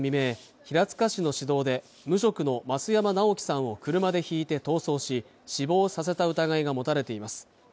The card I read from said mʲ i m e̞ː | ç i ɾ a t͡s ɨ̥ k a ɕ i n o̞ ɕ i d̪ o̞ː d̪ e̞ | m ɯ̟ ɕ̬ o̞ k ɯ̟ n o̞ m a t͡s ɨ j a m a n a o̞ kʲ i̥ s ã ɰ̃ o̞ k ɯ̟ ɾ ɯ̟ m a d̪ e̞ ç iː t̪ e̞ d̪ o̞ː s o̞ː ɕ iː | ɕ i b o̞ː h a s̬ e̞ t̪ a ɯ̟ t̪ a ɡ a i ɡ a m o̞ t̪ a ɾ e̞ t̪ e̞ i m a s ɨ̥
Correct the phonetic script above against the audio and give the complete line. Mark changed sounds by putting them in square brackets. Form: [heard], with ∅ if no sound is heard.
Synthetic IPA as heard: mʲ i m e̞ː | ç i ɾ a t͡s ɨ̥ k a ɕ i n o̞ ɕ i d̪ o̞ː d̪ e̞ | m ɯ̟ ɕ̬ o̞ k ɯ̟ n o̞ m a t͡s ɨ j a m a n a o̞ kʲ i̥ s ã ɰ̃ o̞ k ɯ̟ ɾ ɯ̟ m a d̪ e̞ ç iː t̪ e̞ [t̪] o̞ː s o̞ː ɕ [i] | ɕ i b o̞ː [s] a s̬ e̞ t̪ a ɯ̟ t̪ a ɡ a i ɡ a m o̞ t̪ a ɾ e̞ t̪ e̞ i m a s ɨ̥